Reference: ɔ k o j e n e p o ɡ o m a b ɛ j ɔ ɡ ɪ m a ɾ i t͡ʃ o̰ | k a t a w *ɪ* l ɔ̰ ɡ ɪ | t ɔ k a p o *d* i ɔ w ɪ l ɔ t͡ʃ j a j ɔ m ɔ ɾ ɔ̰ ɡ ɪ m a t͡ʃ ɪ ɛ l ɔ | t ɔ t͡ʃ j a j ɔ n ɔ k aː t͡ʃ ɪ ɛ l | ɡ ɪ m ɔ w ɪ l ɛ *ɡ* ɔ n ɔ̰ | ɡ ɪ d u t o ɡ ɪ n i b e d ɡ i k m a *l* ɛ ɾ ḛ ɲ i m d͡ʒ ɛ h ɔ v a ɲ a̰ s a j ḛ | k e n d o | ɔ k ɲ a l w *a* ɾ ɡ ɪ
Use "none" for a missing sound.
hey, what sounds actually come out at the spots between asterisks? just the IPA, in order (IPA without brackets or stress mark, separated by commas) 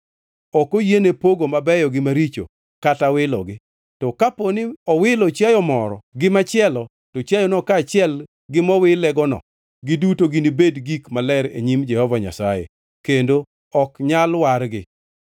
ɪ, n, ɡ, l, a